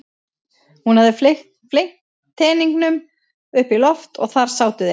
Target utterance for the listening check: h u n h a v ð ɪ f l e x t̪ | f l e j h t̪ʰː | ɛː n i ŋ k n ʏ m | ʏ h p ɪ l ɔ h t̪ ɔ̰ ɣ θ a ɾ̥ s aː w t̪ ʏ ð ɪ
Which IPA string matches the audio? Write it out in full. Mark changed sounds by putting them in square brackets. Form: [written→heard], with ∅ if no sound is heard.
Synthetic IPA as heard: h u n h a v ð ɪ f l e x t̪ | f l e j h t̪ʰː | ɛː n i ŋ k n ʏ m | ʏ h p [ɪ→i] l ɔ [h→f] t̪ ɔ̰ ɣ θ a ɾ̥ s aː w t̪ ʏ ð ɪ